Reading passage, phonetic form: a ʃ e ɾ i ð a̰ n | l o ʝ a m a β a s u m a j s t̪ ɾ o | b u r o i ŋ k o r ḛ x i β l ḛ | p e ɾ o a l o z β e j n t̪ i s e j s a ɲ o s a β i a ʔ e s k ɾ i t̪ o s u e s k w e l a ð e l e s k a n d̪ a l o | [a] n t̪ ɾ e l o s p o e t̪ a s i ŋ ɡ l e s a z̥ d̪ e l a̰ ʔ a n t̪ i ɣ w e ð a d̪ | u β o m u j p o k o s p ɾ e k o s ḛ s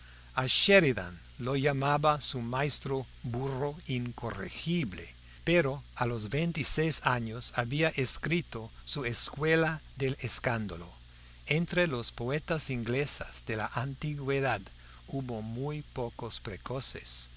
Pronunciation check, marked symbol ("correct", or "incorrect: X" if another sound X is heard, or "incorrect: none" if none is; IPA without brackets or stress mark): incorrect: e